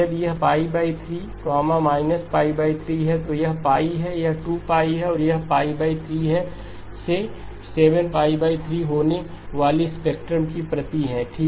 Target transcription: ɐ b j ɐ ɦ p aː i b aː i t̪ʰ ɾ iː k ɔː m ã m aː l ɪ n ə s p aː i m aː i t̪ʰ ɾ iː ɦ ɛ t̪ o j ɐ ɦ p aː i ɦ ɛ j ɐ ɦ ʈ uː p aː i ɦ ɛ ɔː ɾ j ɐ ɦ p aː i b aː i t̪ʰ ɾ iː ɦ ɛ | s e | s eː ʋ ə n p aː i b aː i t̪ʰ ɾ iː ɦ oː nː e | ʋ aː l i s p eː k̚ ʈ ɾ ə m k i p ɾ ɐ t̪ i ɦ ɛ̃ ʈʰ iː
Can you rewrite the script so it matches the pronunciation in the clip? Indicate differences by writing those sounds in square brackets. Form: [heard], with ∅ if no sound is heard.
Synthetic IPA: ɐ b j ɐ ɦ p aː i b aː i t̪ʰ ɾ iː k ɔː m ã m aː [∅] ɪ n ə s p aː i [b] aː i t̪ʰ ɾ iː ɦ ɛ t̪ o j ɐ ɦ p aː i ɦ ɛ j ɐ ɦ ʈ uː p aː i ɦ ɛ ɔː ɾ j ɐ ɦ p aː i b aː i t̪ʰ ɾ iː ɦ ɛ | s e | s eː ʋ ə n p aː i b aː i t̪ʰ ɾ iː ɦ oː [n] e | ʋ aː l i s p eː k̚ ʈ ɾ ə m k i p ɾ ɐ t̪ i ɦ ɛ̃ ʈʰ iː